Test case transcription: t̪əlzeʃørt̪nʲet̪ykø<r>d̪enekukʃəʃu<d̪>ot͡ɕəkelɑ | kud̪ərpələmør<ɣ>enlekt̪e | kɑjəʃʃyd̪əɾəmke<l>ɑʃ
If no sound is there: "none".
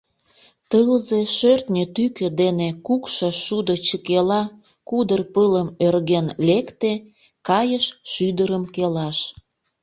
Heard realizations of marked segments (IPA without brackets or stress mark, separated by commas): none, d̪, ɣ, l